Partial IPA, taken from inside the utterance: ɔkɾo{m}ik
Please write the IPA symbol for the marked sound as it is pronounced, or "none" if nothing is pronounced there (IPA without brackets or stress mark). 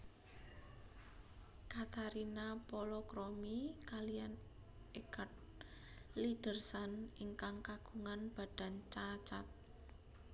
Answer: m